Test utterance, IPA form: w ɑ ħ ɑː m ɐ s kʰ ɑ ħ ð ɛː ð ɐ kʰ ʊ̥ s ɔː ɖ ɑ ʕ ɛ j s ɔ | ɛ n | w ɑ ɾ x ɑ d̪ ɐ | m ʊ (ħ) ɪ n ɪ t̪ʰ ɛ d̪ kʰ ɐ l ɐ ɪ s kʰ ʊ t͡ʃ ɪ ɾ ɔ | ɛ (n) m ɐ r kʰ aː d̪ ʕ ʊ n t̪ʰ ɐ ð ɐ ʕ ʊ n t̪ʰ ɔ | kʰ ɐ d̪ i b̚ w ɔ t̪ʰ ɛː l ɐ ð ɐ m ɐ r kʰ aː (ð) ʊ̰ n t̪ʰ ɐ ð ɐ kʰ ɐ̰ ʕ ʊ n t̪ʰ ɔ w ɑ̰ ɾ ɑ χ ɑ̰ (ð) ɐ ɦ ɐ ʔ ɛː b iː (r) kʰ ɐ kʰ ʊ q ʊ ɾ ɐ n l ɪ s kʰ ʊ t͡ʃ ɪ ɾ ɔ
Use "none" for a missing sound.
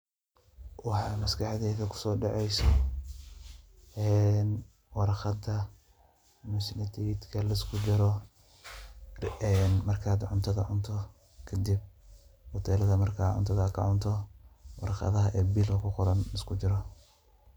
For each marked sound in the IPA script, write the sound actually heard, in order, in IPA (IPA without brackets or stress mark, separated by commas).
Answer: s, n, ʕ, ð, l